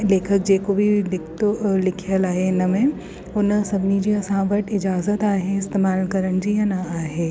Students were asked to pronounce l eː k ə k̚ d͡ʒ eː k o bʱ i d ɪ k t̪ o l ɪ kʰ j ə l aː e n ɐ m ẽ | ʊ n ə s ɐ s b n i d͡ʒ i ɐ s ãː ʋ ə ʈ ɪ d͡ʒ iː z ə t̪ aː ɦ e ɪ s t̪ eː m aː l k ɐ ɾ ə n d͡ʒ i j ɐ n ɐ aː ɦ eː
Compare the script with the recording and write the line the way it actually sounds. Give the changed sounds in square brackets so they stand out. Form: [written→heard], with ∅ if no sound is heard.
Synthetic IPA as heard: l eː [k→kʰ] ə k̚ d͡ʒ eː k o bʱ i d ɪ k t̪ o l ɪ kʰ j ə l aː e n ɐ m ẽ | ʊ n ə s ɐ [s→∅] b n i d͡ʒ i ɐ s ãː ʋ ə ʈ ɪ d͡ʒ [iː→aː] z ə t̪ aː ɦ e ɪ s t̪ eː m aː l k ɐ ɾ ə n d͡ʒ i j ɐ n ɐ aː ɦ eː